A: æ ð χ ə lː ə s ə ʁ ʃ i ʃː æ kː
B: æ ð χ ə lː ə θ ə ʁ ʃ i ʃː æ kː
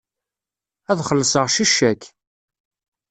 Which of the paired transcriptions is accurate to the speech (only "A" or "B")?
A